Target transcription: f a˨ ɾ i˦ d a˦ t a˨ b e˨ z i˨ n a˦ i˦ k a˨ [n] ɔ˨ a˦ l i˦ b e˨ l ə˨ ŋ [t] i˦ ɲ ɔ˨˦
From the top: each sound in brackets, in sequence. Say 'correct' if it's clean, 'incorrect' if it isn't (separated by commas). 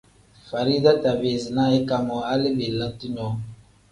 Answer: incorrect, correct